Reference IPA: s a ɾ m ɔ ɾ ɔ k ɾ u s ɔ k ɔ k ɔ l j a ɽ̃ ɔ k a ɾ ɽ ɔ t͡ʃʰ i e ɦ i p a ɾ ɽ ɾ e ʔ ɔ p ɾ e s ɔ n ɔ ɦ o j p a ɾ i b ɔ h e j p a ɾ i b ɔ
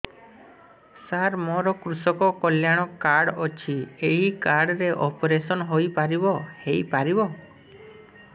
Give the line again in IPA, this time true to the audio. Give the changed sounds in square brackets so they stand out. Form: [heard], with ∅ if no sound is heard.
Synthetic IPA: s a ɾ m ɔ ɾ ɔ k ɾ u s ɔ k ɔ k ɔ l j a ɽ̃ ɔ k a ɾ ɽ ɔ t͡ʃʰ i e ɦ i [k] a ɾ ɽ ɾ e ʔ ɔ p ɾ e s ɔ n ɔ ɦ o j p a ɾ i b ɔ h e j p a ɾ i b ɔ